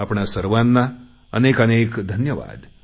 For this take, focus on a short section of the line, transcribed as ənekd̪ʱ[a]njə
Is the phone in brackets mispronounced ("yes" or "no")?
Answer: yes